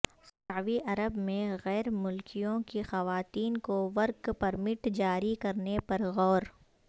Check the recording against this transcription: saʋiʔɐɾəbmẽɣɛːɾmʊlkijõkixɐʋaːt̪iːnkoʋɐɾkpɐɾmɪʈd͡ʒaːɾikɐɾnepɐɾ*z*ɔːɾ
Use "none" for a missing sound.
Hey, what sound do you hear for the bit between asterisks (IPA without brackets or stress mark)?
ɣ